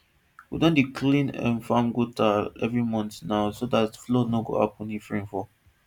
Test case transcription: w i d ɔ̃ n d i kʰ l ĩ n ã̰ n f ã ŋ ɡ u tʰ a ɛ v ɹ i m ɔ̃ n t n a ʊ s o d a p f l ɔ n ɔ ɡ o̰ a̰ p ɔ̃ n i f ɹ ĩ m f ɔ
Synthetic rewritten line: w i d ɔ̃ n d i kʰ l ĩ n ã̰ n f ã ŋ ɡ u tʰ a ɛ v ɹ i m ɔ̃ n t n a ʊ s o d a t f l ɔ n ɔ ɡ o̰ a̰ p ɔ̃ n i f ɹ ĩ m f ɔ